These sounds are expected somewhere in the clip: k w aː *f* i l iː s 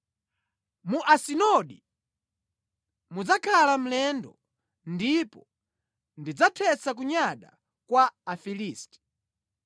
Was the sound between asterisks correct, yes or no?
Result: yes